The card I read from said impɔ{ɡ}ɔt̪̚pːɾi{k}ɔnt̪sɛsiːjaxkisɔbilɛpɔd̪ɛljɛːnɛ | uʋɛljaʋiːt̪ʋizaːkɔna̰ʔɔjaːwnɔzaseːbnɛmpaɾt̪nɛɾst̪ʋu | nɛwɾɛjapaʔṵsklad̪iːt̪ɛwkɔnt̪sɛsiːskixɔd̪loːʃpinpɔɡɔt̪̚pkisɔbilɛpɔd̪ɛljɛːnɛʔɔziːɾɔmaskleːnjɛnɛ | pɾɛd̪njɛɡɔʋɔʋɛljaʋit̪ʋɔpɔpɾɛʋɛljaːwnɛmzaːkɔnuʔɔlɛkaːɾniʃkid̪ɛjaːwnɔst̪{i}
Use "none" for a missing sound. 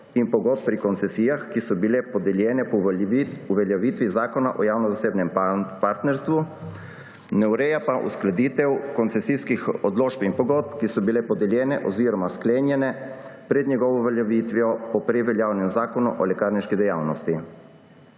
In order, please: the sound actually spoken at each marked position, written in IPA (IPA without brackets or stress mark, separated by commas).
ɡ, k, i